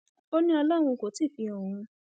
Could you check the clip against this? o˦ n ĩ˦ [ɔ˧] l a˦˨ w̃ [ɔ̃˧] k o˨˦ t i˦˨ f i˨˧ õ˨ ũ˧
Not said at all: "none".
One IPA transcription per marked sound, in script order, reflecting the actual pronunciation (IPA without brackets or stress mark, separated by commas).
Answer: ɔ˧, ũ˧